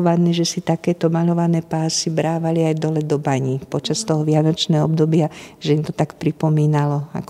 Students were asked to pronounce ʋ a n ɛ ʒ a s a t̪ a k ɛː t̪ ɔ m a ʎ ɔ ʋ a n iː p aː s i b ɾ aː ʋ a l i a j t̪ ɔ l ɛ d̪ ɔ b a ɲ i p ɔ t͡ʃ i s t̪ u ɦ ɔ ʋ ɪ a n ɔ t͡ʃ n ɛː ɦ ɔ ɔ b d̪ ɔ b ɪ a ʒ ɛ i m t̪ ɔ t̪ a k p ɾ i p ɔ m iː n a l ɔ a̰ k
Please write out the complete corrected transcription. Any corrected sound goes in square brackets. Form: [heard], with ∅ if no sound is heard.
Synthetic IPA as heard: ʋ a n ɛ ʒ [ɛ] s [i] t̪ a k ɛː t̪ ɔ m a ʎ ɔ ʋ a n [ɛː] p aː s i b ɾ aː ʋ a l i a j [d̪] ɔ l ɛ d̪ ɔ b a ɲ i p ɔ t͡ʃ [a] s t̪ [ɔ] ɦ ɔ ʋ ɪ a n ɔ t͡ʃ n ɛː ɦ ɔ ɔ b d̪ ɔ b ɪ a ʒ ɛ i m t̪ ɔ t̪ a k p ɾ i p ɔ m iː n a l ɔ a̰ k